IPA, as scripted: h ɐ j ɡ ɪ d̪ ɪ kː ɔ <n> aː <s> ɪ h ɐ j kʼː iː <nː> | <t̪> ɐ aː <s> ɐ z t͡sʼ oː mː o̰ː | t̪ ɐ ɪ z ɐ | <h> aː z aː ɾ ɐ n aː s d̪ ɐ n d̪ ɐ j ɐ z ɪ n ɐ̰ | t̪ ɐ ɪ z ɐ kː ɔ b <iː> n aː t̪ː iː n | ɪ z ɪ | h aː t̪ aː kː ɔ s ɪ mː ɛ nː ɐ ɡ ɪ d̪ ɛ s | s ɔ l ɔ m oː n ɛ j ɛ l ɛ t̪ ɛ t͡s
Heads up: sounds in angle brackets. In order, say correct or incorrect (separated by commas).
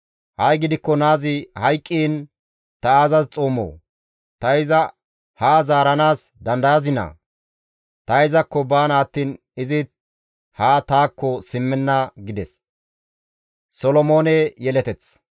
correct, incorrect, incorrect, correct, incorrect, correct, incorrect